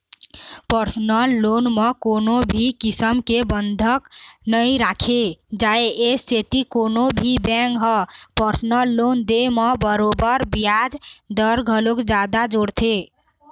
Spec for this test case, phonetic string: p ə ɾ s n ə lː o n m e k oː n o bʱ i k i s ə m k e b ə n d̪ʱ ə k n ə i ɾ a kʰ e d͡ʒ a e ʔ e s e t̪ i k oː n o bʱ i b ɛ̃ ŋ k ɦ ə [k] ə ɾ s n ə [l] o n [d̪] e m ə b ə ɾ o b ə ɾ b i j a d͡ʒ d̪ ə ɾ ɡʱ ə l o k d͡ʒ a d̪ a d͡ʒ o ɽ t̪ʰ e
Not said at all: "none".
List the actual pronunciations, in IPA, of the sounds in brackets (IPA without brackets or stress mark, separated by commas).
p, lː, d̪